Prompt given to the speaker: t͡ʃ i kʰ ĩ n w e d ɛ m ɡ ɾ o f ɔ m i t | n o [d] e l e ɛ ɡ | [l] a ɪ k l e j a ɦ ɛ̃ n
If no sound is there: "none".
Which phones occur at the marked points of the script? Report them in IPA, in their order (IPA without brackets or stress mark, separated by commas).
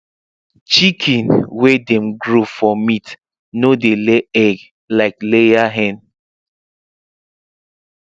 d, l